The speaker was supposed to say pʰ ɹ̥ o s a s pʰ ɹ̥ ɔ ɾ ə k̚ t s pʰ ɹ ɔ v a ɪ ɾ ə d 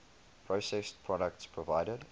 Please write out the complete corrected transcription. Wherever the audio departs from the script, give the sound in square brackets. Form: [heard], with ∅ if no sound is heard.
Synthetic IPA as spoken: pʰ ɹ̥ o s [ɛ] s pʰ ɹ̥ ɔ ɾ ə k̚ t s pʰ ɹ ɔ v a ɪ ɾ ə d